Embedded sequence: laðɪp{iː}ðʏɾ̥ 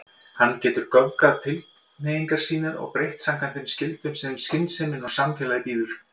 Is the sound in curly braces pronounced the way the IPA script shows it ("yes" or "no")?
yes